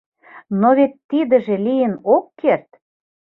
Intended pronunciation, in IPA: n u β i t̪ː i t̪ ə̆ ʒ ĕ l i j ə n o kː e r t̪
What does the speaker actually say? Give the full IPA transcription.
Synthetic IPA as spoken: n o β e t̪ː i d̪ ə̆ ʒ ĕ l i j ə n o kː e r t̪